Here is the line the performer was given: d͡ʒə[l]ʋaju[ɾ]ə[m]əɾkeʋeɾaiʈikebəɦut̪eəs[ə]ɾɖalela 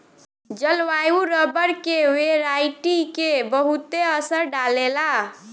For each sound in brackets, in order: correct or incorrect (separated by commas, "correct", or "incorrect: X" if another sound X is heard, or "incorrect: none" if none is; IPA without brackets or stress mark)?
correct, correct, incorrect: b, correct